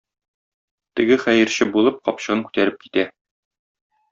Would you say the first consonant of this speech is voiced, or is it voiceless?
voiceless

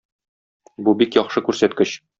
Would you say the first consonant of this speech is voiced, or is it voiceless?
voiced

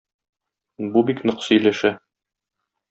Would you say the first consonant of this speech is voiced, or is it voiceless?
voiced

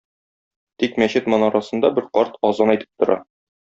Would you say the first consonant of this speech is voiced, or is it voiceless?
voiceless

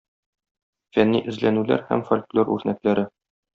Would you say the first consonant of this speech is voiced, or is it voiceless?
voiceless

